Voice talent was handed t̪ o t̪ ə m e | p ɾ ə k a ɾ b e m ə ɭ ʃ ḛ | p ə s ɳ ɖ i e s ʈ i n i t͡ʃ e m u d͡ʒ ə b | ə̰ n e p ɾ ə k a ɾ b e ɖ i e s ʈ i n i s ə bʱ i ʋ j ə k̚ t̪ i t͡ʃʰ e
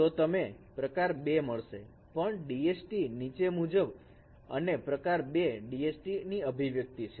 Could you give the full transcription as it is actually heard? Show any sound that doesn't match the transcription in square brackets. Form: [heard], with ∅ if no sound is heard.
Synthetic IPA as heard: t̪ o t̪ ə m e | p ɾ ə k a ɾ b e m ə ɭ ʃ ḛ | p ə [∅] ɳ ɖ i e s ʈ i n i t͡ʃ e m u d͡ʒ ə b | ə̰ n e p ɾ ə k a ɾ b e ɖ i e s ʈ i n i [∅] ə bʱ i ʋ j ə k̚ t̪ i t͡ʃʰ e